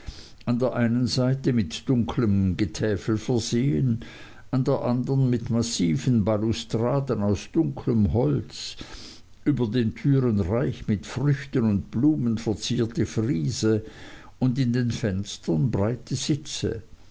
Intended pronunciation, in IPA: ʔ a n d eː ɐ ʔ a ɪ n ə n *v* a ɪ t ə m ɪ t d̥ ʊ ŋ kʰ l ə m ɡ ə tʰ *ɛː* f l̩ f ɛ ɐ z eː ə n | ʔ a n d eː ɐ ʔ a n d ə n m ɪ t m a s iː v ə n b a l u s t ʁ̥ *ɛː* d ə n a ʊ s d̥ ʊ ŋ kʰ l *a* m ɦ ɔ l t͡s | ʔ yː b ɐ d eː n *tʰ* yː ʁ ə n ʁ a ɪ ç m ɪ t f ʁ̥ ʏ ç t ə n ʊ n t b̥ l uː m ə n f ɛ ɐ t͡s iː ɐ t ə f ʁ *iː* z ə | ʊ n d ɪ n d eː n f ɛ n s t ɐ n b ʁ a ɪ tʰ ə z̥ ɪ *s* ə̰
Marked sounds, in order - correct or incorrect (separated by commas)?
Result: incorrect, correct, incorrect, incorrect, correct, correct, incorrect